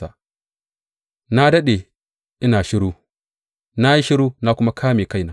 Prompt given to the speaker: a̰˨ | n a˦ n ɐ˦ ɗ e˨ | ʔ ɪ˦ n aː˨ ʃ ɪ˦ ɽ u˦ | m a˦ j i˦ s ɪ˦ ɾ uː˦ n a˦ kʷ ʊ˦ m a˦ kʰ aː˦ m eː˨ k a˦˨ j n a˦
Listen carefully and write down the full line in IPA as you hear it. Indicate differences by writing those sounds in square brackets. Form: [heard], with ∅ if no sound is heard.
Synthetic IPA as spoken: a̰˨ | n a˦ [d] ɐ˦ ɗ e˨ | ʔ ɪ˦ n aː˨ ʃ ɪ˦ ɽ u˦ | [n] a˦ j i˦ [ʃ] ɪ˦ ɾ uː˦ n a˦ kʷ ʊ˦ m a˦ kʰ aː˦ m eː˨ k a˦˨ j n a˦